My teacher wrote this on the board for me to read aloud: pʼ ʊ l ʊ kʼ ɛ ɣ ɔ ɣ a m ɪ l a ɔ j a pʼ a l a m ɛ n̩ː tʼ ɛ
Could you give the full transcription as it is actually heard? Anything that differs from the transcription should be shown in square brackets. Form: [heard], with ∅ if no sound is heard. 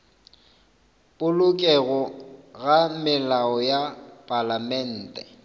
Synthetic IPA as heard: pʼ ʊ l ʊ kʼ ɛ ɣ ɔ ɣ a m ɪ l a ɔ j a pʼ a l a m ɛ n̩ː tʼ ɛ